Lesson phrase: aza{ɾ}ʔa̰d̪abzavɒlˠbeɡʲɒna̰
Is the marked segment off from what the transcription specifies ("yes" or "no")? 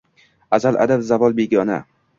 yes